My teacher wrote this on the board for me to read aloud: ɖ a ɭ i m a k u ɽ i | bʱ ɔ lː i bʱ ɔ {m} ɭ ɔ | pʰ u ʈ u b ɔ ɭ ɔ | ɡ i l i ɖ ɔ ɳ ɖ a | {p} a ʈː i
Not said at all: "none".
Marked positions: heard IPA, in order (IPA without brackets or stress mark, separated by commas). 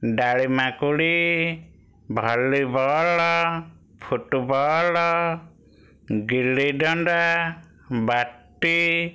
none, b